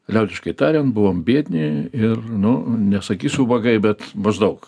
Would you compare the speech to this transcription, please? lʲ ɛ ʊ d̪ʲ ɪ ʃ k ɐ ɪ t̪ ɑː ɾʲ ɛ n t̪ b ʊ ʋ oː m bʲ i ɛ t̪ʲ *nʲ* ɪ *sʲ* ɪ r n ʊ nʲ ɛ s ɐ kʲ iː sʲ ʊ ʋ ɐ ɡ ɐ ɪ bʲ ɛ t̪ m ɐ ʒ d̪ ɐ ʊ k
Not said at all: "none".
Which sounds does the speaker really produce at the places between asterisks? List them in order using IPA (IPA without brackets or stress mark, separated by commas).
nʲ, none